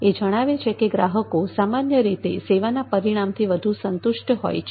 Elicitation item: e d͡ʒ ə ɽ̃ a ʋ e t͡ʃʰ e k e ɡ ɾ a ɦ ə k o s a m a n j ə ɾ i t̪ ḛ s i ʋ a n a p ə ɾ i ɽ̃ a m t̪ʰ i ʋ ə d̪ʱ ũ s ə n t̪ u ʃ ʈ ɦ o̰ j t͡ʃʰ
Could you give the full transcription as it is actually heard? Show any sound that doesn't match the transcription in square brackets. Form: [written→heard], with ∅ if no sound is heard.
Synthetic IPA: e d͡ʒ ə ɽ̃ a ʋ e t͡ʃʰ e k e ɡ ɾ a ɦ ə k o s a m a n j ə ɾ i t̪ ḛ s [i→e] ʋ a n a p ə ɾ i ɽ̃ a m t̪ʰ i ʋ ə d̪ʱ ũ s ə n t̪ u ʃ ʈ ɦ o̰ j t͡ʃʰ